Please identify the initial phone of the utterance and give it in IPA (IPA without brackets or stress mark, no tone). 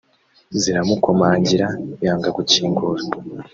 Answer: z